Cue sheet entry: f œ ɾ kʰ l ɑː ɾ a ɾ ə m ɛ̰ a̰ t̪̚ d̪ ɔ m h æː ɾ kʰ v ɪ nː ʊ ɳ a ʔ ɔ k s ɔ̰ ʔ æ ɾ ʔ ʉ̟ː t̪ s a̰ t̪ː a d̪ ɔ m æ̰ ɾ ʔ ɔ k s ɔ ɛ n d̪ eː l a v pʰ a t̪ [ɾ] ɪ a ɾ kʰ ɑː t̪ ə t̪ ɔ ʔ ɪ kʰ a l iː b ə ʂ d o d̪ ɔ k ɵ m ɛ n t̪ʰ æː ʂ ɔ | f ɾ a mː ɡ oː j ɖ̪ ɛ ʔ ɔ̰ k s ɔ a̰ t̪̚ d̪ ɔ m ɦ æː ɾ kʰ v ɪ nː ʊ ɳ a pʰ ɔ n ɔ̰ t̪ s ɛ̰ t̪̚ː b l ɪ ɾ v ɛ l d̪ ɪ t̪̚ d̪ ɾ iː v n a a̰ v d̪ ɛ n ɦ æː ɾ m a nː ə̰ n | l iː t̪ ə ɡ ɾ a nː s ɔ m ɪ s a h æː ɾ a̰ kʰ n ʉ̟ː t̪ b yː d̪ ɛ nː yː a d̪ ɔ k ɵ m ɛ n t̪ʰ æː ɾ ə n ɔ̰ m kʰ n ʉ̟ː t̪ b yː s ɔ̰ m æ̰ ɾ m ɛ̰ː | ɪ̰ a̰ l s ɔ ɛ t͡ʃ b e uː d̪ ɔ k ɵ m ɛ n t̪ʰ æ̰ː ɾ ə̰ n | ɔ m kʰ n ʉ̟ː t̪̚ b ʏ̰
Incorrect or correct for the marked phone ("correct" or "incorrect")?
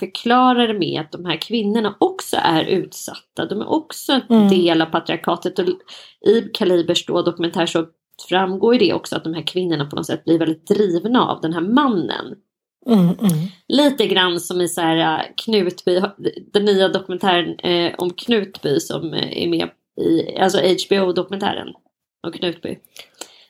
correct